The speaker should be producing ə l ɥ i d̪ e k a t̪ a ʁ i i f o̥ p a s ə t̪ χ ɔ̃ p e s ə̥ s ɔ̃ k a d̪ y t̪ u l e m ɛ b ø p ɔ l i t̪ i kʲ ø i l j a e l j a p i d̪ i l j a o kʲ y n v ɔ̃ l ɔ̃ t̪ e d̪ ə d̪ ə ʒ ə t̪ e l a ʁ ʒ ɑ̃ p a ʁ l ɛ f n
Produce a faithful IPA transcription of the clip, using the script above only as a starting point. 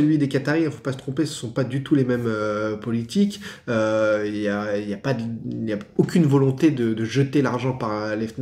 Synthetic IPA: ə l ɥ i d̪ e k a t̪ a ʁ i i f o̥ p a s ə t̪ χ ɔ̃ p e s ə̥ s ɔ̃ p a d̪ y t̪ u l e m ɛ m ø p ɔ l i t̪ i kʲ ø i l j a i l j a p a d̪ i l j a o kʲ y n v ɔ l ɔ̃ t̪ e d̪ ə d̪ ə ʒ ə t̪ e l a ʁ ʒ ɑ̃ p a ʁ l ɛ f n